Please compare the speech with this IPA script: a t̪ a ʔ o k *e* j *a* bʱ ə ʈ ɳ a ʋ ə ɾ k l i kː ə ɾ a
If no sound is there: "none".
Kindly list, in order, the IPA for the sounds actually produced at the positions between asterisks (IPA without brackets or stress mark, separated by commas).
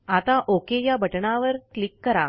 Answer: e, a